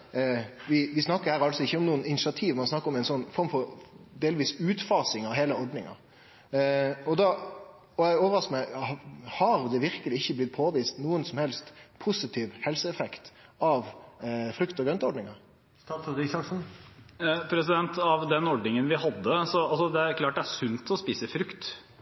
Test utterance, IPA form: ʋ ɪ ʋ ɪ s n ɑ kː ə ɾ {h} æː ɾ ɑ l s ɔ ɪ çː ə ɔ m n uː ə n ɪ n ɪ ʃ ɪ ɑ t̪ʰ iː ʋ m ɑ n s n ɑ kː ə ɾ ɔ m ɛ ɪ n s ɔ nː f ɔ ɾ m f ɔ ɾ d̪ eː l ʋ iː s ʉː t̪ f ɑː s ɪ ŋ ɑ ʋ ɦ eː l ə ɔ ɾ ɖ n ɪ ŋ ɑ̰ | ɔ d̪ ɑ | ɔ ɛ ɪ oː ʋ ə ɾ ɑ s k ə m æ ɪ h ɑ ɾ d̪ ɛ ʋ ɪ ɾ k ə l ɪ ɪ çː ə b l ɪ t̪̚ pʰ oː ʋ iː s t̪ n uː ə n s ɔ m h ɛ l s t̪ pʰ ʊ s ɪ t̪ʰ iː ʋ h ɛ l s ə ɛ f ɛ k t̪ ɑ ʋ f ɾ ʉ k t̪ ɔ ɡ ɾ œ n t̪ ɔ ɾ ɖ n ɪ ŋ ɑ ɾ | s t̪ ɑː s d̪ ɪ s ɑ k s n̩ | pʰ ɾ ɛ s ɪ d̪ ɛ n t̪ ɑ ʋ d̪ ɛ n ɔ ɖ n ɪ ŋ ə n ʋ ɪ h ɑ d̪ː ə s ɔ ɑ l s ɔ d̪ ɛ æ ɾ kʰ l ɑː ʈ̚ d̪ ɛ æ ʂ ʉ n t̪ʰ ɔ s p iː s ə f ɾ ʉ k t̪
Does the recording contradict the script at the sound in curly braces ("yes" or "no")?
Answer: no